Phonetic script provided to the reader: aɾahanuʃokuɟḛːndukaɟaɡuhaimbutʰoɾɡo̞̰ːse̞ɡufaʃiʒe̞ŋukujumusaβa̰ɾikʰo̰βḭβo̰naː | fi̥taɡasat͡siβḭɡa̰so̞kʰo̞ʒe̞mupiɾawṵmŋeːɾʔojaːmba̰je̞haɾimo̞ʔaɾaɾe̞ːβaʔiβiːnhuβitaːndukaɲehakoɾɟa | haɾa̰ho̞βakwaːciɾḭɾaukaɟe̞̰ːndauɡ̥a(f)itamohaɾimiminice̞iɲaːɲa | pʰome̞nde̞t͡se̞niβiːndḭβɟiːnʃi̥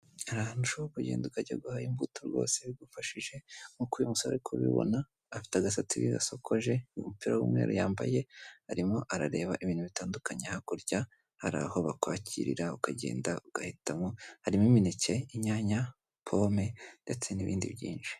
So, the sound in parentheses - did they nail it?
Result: no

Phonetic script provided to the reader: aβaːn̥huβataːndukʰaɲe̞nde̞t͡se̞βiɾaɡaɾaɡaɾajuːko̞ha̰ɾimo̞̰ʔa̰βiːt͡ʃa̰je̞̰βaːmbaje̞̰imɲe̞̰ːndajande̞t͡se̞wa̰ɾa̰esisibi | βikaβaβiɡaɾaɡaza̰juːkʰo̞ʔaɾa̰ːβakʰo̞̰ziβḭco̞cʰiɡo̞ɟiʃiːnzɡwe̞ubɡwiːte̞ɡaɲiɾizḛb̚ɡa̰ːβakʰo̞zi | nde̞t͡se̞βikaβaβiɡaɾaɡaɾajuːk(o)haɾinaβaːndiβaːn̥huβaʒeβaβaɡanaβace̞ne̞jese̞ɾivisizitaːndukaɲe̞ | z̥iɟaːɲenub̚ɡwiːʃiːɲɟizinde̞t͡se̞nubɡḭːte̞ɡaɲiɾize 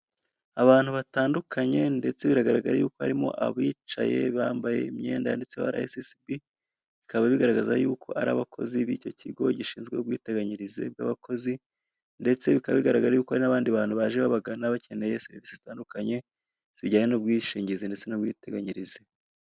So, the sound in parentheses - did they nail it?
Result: yes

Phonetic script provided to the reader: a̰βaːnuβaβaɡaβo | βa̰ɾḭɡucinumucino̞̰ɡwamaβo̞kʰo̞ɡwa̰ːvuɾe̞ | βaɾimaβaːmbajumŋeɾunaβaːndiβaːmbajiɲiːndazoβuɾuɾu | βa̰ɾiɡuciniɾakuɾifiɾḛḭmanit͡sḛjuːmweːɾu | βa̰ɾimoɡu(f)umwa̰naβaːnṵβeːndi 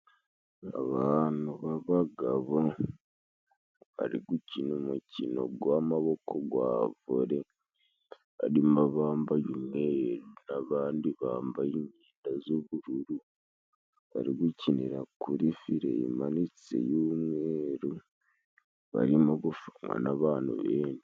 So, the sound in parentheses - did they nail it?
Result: yes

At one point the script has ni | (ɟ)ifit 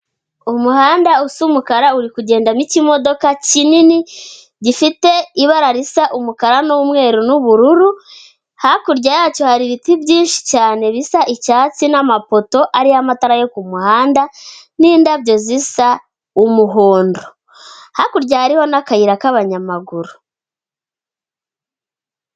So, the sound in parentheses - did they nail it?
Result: yes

